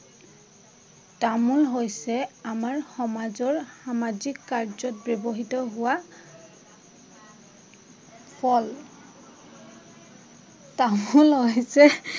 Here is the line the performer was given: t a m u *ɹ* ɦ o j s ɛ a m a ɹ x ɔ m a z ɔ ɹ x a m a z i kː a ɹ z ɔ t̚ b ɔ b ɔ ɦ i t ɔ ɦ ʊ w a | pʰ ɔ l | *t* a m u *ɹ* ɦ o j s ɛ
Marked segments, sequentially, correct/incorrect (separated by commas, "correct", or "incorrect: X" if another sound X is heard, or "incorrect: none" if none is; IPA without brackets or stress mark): incorrect: l, correct, incorrect: l